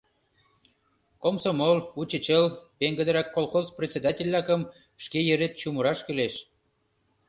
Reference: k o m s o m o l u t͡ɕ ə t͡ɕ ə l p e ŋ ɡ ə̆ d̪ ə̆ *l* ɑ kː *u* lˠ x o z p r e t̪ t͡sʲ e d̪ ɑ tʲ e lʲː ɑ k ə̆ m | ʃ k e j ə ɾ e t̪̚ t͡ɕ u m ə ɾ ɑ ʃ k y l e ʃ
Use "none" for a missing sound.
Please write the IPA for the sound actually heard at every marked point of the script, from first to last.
ɾ, o

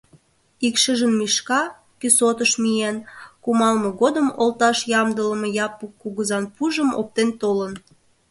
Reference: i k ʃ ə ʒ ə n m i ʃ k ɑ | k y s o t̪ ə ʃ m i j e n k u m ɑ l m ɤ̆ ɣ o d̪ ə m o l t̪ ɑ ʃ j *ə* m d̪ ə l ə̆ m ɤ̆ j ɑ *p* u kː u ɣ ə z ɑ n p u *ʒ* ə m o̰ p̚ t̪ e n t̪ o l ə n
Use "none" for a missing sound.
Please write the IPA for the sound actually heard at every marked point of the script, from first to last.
ɑ, p, ʒ

